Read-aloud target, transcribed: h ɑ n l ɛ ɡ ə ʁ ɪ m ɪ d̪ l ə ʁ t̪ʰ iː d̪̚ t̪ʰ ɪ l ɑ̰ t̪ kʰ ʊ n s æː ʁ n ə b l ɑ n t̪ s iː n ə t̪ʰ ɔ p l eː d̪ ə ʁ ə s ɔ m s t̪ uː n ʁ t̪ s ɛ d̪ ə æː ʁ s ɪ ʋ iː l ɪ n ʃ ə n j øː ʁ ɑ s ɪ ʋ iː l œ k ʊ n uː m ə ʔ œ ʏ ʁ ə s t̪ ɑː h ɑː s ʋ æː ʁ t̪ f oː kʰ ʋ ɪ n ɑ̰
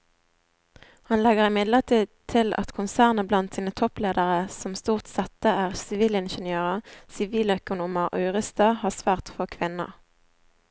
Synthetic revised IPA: h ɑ n l ɛ ɡ ə ʁ ɪ m ɪ d̪ l ə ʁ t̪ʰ iː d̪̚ t̪ʰ ɪ l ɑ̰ t̪ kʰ ʊ n s æː ʁ n ə b l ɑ n t̪ s iː n ə t̪ʰ ɔ p l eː d̪ ə ʁ ə s ɔ m s t̪ uː ʁ t̪ s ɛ t̪ ə æː ʁ s ɪ ʋ iː l ɪ n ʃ ə n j øː ʁ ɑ s ɪ ʋ iː l œ k ʊ n uː m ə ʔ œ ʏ ʁ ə s t̪ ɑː h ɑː s ʋ æː ʁ t̪ f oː kʰ ʋ ɪ n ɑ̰